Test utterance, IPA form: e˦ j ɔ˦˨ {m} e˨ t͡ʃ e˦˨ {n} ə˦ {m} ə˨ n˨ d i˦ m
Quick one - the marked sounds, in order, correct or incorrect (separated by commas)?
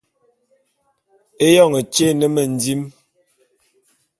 incorrect, correct, correct